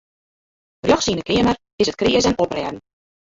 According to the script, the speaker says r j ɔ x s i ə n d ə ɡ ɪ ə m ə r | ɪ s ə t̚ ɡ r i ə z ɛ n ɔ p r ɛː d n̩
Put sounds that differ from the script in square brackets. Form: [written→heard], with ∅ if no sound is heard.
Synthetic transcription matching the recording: r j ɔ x s i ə n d ə [ɡ→k] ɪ ə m ə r | ɪ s ə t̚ [ɡ→k] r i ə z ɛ n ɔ p r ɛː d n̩